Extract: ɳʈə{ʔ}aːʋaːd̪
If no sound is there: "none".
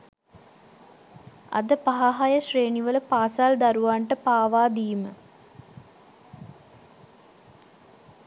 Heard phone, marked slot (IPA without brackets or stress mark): p